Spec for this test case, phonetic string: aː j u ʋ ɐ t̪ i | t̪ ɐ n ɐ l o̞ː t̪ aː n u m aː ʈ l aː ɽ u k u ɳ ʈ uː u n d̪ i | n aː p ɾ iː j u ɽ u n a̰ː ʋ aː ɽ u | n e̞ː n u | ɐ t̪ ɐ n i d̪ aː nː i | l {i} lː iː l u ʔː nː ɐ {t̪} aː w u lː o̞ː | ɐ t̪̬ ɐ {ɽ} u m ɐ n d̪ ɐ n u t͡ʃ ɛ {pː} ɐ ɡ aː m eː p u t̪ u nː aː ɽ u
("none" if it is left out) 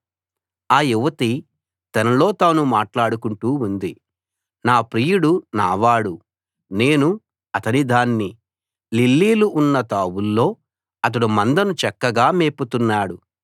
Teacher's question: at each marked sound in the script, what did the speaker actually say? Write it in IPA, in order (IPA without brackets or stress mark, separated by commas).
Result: i, t̪, ɽ, kː